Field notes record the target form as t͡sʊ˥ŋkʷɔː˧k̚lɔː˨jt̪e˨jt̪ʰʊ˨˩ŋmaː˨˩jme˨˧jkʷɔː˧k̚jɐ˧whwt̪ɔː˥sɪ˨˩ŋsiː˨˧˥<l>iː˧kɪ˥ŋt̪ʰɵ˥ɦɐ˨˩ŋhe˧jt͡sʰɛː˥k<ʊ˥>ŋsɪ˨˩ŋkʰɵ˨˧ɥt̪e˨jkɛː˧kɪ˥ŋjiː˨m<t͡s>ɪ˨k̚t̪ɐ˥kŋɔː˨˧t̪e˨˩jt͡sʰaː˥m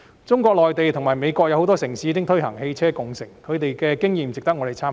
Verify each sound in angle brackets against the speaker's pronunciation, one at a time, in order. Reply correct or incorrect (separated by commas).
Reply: incorrect, incorrect, correct